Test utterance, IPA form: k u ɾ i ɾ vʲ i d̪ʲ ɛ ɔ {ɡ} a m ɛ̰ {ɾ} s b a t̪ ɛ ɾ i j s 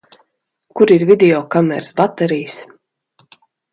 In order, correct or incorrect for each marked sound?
incorrect, correct

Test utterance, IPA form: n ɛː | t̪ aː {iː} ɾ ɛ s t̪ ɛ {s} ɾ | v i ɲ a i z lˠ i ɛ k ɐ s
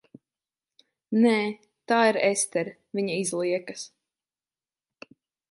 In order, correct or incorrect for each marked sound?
incorrect, incorrect

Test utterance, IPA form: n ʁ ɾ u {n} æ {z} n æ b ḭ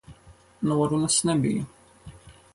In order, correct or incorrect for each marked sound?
correct, incorrect

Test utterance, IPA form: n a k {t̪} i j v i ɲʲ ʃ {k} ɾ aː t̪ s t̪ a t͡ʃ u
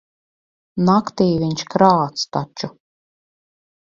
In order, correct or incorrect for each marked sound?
correct, correct

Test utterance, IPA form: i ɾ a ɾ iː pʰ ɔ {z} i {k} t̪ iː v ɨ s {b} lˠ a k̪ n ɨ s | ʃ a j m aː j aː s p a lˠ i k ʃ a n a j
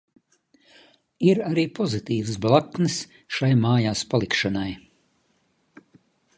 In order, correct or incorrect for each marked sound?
correct, incorrect, correct

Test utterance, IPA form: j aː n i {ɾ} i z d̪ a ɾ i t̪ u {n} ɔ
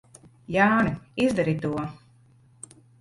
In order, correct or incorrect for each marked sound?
incorrect, incorrect

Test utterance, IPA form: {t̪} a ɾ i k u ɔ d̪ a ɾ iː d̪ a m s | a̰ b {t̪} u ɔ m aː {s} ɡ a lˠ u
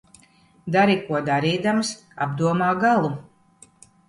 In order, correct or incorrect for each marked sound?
incorrect, incorrect, incorrect

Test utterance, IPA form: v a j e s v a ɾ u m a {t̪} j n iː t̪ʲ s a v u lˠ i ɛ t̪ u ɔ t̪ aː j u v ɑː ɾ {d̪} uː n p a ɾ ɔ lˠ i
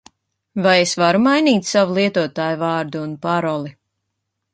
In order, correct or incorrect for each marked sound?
incorrect, correct

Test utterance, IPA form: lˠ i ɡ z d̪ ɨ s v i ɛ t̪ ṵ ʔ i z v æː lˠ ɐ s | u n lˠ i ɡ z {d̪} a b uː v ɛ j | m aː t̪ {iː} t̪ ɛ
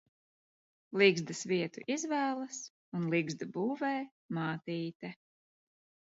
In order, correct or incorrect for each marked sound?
correct, correct

